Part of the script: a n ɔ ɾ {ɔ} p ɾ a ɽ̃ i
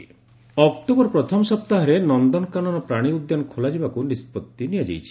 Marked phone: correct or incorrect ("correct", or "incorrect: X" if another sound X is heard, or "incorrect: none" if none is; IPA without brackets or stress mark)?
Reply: correct